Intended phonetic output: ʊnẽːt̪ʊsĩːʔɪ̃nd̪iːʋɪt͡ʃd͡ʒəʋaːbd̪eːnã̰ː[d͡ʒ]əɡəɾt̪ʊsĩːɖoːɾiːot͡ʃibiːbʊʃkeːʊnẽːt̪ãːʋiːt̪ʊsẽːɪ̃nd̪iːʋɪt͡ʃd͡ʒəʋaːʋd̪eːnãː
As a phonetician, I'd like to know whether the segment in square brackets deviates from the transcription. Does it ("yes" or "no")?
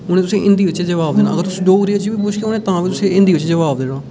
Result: yes